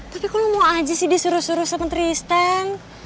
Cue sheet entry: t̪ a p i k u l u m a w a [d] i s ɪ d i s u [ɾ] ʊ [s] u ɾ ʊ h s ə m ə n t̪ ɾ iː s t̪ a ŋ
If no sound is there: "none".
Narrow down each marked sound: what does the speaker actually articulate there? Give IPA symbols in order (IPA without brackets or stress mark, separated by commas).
d͡ʒ, ɾ, s